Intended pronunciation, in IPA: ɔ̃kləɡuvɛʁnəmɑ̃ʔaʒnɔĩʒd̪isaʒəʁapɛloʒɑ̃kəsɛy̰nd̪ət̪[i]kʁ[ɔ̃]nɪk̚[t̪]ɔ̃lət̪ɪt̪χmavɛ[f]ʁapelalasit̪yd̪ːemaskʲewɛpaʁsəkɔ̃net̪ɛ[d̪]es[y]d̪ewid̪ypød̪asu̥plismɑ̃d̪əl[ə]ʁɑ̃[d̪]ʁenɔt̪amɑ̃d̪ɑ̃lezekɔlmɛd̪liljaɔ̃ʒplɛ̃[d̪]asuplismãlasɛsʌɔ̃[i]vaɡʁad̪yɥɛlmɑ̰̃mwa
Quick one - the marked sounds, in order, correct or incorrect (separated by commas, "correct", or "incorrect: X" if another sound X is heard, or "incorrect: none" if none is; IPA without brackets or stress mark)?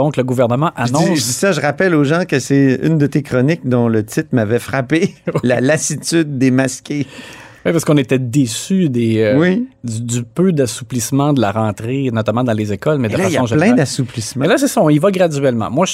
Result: incorrect: e, incorrect: ɔ, incorrect: d̪, correct, correct, correct, incorrect: a, incorrect: t̪, correct, correct